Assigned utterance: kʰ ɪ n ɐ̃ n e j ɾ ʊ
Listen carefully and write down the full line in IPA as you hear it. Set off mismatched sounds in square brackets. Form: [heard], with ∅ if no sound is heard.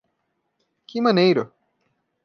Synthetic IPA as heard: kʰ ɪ [m] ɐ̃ n e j ɾ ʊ